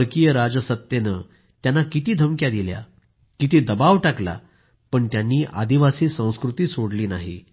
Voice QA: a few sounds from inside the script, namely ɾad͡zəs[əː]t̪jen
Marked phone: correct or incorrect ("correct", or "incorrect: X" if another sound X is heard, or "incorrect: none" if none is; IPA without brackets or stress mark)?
incorrect: ə